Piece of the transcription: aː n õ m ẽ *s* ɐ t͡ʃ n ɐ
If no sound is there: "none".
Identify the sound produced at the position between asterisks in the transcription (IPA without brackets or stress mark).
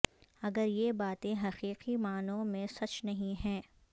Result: s